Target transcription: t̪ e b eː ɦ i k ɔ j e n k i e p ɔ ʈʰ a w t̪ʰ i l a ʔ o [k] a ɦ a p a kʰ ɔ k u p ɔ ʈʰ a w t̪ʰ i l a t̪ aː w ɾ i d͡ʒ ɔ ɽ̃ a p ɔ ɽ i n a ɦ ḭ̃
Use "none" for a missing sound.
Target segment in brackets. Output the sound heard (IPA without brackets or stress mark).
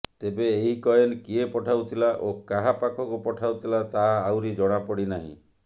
k